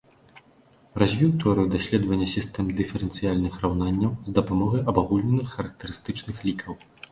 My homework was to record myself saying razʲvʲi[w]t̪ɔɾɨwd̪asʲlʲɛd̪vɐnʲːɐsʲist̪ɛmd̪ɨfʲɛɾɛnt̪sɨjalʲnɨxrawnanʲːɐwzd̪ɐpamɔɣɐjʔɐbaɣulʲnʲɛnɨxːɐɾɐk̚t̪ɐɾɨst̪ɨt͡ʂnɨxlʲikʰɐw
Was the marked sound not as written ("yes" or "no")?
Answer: no